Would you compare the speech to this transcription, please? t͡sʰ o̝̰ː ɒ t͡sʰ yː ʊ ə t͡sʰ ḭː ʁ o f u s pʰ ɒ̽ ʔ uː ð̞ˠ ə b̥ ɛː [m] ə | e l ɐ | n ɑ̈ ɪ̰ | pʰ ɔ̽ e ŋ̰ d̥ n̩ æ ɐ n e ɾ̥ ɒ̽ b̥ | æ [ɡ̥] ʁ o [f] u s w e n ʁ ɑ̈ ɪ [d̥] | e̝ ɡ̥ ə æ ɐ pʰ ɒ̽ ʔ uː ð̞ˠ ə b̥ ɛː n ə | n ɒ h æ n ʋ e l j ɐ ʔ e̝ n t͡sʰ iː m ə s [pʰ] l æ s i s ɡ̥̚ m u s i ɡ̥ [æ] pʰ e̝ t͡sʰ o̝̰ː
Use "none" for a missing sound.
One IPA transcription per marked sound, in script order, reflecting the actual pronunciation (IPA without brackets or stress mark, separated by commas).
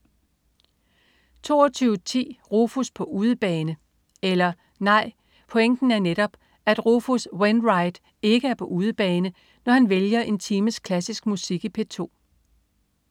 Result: n, d̥, f, d̥, kʰ, i